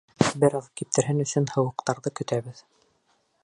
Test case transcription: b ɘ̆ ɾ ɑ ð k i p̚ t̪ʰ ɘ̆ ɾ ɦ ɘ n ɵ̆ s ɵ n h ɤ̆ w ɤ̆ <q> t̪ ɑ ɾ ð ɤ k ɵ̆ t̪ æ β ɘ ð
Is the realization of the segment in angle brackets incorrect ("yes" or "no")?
no